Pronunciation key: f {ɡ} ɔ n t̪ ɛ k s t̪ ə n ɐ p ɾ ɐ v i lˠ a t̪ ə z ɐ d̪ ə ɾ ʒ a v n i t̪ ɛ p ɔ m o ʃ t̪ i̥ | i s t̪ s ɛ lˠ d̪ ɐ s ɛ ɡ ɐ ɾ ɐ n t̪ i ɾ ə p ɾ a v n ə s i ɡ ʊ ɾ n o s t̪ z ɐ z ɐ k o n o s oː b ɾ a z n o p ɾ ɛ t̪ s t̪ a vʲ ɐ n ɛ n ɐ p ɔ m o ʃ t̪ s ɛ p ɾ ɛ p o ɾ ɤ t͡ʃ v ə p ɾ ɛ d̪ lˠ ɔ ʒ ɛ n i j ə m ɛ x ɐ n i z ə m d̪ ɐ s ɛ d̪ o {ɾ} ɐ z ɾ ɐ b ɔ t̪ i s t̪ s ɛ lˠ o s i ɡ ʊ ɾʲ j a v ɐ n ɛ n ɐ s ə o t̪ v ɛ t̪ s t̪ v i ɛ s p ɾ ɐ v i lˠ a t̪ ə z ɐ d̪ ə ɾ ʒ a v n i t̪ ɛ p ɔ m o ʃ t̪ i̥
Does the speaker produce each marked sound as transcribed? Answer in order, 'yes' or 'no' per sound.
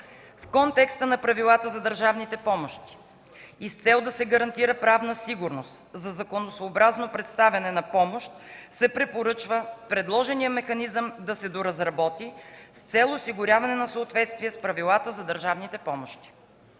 no, yes

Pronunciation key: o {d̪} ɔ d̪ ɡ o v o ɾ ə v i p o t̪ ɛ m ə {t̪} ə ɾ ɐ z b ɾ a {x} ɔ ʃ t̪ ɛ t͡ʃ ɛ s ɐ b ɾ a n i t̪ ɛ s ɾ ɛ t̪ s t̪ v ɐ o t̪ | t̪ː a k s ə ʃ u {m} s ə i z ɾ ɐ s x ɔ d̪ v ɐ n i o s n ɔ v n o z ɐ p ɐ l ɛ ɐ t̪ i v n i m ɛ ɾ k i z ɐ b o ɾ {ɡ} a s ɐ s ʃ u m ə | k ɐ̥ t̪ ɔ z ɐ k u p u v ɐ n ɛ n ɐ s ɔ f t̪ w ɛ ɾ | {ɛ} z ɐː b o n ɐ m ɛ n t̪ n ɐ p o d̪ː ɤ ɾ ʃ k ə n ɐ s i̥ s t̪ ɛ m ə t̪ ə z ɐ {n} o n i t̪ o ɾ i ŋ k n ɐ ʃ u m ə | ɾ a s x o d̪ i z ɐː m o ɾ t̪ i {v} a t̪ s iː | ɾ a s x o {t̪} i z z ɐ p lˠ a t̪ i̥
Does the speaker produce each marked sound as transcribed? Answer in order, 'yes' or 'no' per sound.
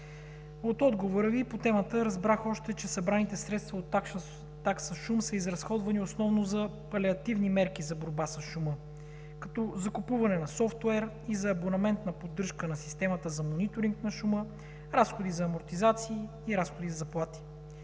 no, yes, yes, yes, no, no, no, no, no

